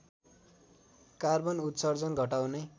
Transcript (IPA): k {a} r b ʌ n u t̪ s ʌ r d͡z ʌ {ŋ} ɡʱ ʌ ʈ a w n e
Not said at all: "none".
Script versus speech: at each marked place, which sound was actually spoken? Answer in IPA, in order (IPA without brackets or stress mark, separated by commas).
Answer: a, n